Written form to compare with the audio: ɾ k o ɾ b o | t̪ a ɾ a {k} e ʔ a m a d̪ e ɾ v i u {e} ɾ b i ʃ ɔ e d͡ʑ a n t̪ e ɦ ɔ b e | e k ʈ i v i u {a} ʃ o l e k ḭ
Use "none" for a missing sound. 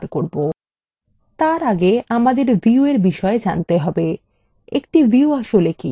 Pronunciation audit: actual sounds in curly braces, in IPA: ɡ, e, a

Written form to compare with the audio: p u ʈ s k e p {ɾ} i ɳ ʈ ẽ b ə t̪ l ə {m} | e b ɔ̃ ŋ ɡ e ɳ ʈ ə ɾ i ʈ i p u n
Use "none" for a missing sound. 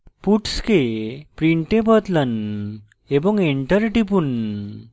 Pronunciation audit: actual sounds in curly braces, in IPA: ɾ, n

